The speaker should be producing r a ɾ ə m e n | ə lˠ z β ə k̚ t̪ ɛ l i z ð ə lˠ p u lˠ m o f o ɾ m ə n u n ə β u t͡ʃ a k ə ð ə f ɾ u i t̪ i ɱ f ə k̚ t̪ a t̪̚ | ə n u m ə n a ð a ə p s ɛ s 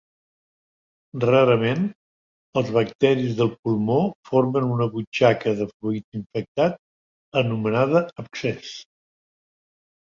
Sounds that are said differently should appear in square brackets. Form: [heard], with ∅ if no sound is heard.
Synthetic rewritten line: r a ɾ ə m e n | ə lˠ z β ə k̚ t̪ ɛ [ɾ] i z ð ə lˠ p u lˠ m o f o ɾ m ə n u n ə β u t͡ʃ a k ə ð ə f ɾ u i t̪ i ɱ f ə k̚ t̪ a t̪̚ | ə n u m ə n a ð [ə] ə p s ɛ s